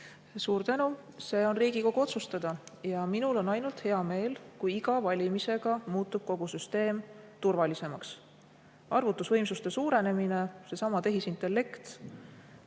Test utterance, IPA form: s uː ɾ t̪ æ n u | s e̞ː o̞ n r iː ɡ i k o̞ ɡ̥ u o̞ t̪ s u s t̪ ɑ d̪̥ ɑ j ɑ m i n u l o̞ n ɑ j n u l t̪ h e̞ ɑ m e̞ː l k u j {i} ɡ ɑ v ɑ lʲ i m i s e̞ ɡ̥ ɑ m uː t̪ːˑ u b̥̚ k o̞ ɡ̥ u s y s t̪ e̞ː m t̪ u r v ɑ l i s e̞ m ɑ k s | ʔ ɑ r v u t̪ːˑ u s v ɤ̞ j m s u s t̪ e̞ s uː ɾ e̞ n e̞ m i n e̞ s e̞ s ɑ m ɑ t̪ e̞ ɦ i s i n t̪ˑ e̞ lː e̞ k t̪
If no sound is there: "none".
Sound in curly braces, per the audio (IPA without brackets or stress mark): i